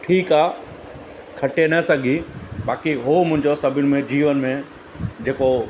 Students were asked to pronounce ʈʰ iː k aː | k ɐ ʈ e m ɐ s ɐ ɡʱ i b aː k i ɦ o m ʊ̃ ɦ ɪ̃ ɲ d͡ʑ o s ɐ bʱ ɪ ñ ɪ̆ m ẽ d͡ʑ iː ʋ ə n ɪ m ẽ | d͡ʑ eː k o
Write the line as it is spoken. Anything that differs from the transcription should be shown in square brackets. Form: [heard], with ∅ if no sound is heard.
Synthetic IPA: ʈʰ iː k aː | [kʰ] ɐ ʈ e [n] ɐ s ɐ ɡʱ i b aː k i ɦ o m ʊ̃ ɦ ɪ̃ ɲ d͡ʑ o s ɐ bʱ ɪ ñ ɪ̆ m ẽ d͡ʑ iː ʋ ə n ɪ m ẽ | d͡ʑ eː k o